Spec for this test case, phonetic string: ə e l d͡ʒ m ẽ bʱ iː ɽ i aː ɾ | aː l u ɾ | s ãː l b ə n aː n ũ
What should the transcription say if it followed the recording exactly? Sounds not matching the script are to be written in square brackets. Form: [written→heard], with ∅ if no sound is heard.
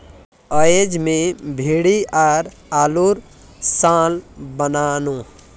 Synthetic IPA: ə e [l→∅] d͡ʒ m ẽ bʱ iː ɽ i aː ɾ | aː l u ɾ | s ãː l b ə n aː n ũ

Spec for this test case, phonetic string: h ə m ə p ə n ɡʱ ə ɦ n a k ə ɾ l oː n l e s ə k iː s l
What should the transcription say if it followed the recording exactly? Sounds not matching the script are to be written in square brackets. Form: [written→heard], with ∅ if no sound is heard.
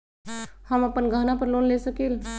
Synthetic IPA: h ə m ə p ə n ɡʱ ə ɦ n a [k→p] ə ɾ l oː n l e s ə k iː [s→∅] l

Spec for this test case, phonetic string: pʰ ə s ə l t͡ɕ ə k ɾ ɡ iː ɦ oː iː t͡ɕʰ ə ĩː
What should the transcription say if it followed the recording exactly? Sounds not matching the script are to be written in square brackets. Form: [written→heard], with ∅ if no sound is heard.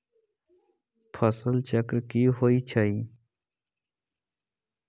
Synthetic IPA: pʰ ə s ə l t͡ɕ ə k ɾ [ɡ→k] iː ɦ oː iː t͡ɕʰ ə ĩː

